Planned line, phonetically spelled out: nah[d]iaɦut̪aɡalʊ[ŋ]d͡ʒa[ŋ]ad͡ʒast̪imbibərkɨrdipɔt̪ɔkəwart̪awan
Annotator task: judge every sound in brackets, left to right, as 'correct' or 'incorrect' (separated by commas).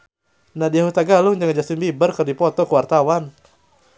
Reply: correct, correct, correct